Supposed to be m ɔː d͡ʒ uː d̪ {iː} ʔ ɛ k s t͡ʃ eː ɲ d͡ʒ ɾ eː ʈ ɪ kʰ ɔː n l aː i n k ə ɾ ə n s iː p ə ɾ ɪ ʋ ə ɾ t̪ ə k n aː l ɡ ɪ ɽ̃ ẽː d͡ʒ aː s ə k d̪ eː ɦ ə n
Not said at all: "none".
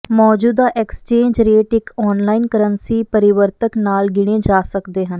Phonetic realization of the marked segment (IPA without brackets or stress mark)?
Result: aː